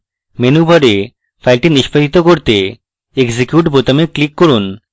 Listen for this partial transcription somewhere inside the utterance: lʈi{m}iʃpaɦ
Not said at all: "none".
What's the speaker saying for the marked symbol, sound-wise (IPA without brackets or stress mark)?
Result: n